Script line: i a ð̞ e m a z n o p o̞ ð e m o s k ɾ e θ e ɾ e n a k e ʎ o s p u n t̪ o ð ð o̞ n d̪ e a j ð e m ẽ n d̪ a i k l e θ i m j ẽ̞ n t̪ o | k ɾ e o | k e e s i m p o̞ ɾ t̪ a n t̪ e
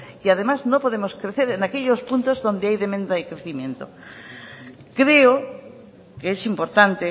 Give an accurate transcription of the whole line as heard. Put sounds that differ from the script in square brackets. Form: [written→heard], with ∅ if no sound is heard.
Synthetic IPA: i a ð̞ e m a z n o p o̞ ð e m o s k ɾ e θ e ɾ e n a k e ʎ o s p u n t̪ o [ð→z] ð o̞ n d̪ e a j ð e m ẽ n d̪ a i k [l→ɾ] e θ i m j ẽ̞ n t̪ o | k ɾ e o | k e e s i m p o̞ ɾ t̪ a n t̪ e